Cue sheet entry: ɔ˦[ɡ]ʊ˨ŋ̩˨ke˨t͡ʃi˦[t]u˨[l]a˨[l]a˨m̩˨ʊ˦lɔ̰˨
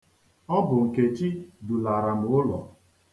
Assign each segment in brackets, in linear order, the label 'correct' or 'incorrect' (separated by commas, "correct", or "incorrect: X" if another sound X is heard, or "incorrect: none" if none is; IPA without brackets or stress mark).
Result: incorrect: b, incorrect: d, correct, incorrect: ɾ